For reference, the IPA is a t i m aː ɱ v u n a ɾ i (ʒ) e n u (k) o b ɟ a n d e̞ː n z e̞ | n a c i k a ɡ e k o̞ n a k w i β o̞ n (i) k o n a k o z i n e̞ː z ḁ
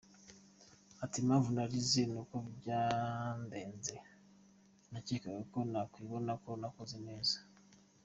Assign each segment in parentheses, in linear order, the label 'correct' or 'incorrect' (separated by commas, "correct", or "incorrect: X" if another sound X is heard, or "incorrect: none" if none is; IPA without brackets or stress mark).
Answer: incorrect: z, correct, incorrect: a